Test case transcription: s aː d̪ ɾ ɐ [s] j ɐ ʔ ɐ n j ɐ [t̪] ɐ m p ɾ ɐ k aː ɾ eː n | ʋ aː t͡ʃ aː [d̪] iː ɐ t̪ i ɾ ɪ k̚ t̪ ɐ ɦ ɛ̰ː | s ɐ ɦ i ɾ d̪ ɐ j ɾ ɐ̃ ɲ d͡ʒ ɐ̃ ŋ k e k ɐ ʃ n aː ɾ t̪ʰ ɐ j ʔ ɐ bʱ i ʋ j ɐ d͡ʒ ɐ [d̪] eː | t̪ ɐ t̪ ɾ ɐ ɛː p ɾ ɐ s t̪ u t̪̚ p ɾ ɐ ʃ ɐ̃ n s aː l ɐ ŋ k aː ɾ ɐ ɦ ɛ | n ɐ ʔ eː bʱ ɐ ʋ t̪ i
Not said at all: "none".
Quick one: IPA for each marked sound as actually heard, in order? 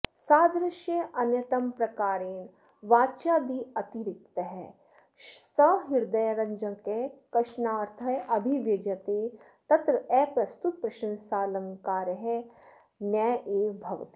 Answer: ʃ, t̪, d̪, t̪

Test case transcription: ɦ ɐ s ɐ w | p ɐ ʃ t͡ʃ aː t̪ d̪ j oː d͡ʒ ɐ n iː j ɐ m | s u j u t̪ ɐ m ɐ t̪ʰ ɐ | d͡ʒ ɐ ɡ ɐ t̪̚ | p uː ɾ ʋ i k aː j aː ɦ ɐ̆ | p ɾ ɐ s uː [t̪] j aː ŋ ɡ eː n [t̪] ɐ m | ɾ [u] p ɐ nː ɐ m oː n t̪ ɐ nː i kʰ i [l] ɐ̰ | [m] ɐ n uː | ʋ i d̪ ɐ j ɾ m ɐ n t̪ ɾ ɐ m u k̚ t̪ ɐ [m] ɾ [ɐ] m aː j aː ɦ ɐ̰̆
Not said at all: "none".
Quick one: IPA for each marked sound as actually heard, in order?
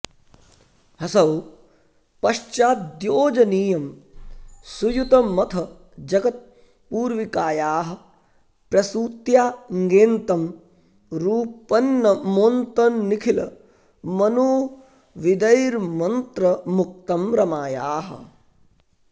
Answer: t̪, t̪, uː, l, m, m, ɐ

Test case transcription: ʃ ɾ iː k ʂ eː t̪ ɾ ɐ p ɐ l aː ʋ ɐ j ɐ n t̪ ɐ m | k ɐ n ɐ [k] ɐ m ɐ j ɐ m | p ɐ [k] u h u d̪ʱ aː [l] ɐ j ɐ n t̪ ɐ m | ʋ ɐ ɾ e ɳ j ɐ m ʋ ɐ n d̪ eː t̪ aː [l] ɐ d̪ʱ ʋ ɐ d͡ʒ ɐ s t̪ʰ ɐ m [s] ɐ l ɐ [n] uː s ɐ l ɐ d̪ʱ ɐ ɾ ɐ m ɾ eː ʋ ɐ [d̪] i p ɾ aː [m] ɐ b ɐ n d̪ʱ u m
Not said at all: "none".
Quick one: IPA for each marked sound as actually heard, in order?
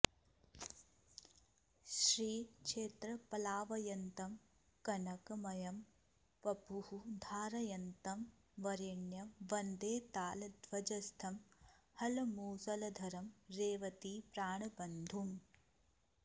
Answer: k, p, ɾ, l, h, m, t̪, ɳ

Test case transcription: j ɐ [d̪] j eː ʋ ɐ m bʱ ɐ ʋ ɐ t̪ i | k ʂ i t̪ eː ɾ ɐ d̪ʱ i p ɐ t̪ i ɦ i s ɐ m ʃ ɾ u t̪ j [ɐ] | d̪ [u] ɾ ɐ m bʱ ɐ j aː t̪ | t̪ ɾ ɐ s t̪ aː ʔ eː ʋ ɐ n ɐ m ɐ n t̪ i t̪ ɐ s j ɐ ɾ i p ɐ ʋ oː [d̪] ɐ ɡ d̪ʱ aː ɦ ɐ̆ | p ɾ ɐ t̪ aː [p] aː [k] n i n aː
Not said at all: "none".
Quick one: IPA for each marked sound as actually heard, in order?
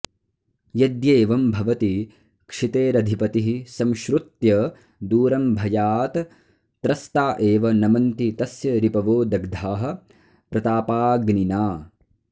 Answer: d̪, ɐ, uː, d̪, p, ɡ

